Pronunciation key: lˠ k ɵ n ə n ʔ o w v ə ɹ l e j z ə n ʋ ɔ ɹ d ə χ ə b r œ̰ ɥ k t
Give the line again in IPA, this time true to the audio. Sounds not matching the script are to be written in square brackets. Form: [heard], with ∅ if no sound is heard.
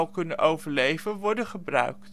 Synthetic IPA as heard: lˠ k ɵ n ə n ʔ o w v ə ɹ l e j [v] ə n ʋ ɔ ɹ d ə χ ə b r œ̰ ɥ k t